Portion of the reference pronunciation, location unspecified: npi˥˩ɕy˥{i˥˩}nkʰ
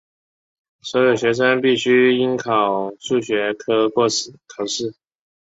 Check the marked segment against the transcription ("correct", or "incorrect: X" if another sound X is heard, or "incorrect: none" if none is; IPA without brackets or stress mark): incorrect: i˥